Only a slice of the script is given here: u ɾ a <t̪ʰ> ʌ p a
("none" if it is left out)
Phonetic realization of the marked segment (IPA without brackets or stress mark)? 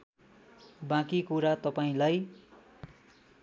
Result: t̪